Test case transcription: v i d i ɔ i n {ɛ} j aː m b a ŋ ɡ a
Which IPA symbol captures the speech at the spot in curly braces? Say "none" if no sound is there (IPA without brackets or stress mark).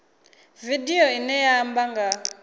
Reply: ɛ